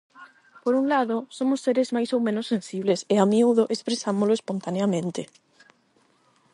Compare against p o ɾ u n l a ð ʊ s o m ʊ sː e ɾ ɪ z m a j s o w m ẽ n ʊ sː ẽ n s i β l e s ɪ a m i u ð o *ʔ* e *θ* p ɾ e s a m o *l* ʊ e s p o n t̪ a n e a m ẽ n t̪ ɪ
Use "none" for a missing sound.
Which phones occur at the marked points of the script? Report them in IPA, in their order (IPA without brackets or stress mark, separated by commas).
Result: ʔ, s, l